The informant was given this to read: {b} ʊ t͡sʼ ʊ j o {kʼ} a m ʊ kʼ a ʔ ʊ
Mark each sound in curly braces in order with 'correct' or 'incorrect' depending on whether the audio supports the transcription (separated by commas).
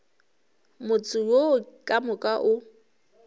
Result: incorrect, correct